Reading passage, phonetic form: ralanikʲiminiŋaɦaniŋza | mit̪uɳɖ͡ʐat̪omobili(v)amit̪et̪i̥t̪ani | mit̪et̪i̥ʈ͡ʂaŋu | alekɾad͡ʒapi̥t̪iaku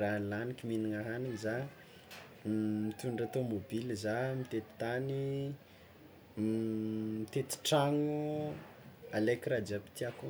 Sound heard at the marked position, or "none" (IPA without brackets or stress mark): z